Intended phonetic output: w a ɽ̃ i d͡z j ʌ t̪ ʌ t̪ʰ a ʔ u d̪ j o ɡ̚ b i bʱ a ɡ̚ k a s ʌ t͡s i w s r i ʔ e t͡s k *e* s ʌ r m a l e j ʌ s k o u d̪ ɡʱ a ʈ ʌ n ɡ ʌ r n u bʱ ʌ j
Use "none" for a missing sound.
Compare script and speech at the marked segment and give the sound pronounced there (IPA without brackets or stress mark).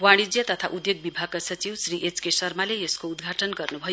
e